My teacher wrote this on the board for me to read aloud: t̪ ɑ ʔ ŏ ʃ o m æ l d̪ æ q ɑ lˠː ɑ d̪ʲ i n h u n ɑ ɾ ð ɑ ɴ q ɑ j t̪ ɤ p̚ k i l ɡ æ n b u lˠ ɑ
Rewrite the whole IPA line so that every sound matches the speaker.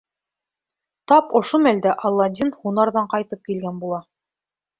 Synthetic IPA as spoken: t̪ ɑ p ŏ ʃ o m æ l d̪ æ ʔ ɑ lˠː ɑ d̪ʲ i n h u n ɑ ɾ ð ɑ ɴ q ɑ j t̪ ɤ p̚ k i l ɡ æ n b u lˠ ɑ